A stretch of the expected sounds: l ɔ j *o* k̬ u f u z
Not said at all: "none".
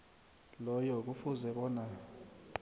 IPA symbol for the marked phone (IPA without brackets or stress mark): ɔ